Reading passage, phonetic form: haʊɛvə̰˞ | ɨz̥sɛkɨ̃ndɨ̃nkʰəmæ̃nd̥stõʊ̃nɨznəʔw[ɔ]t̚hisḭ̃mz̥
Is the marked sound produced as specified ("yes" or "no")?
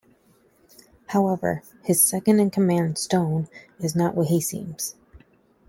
no